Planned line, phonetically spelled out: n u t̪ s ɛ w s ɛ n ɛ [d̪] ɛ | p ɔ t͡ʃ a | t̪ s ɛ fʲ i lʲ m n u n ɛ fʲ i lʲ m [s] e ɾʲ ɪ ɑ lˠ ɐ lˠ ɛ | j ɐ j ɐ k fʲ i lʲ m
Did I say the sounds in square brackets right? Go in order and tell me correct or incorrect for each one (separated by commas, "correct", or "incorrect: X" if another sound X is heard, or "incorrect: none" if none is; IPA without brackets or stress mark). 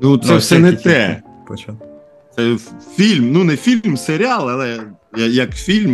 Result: incorrect: t̪, correct